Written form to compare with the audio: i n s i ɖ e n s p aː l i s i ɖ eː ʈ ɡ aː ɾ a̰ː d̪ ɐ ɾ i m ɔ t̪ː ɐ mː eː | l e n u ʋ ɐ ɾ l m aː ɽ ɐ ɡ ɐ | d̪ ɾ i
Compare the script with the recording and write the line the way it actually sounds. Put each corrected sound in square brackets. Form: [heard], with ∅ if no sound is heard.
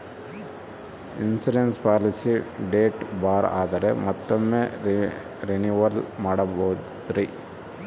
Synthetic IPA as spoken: i n s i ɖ e n s p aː l i s i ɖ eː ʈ [b] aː ɾ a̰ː d̪ ɐ ɾ [e] m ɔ t̪ː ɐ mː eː | [ɾ] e n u ʋ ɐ ɾ l m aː ɽ ɐ [b] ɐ | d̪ ɾ i